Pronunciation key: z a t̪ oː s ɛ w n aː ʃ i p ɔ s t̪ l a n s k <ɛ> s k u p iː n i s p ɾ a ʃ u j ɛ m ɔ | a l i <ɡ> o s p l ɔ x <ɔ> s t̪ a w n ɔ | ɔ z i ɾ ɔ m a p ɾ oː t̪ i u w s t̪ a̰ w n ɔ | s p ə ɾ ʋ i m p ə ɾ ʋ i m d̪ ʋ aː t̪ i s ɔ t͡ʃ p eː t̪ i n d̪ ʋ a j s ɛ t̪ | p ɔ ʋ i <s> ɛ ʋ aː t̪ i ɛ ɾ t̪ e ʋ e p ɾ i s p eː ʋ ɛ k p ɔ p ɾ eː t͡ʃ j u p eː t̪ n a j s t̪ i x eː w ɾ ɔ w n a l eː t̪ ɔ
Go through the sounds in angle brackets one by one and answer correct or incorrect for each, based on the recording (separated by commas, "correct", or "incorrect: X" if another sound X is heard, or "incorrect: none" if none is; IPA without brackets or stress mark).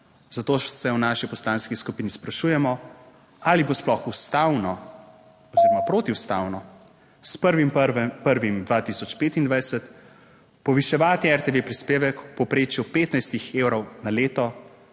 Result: incorrect: i, incorrect: b, incorrect: u, incorrect: ʃ